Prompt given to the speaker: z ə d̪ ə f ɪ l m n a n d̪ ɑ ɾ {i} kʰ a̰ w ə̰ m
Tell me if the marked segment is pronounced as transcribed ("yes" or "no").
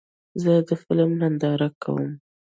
no